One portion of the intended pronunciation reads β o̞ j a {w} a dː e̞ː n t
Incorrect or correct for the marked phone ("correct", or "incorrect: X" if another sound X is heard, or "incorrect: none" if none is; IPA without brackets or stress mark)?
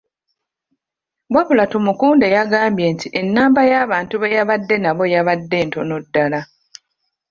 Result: incorrect: β